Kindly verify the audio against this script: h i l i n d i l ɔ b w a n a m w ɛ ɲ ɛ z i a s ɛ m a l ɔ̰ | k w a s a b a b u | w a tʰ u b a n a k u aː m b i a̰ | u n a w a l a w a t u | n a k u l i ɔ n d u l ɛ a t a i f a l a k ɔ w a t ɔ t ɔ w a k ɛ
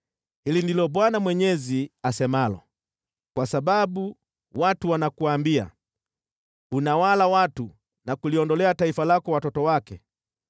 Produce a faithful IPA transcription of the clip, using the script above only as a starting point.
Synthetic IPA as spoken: h i l i n d i l ɔ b w a n a m w ɛ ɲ ɛ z i a s ɛ m a l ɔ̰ | k w a s a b a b u | w a t u w a n a k u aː m b i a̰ | u n a w a l a w a t u | n a k u l i ɔ n d ɔ l ɛ a t a i f a l a k ɔ w a t ɔ t ɔ w a k ɛ